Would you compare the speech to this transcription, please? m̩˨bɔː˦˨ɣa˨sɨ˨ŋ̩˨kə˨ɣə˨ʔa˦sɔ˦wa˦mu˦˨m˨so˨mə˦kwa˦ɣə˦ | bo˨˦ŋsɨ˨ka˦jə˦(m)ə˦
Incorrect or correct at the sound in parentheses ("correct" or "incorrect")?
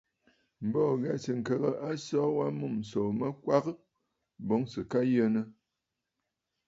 incorrect